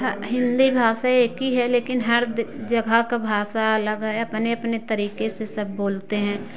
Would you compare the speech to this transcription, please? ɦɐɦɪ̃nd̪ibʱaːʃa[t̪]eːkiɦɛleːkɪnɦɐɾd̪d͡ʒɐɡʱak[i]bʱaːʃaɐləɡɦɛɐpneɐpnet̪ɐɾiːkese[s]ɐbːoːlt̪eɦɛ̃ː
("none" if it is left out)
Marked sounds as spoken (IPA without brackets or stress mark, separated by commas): none, a, s